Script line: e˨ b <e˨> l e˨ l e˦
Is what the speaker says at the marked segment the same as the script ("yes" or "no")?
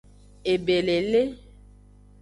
yes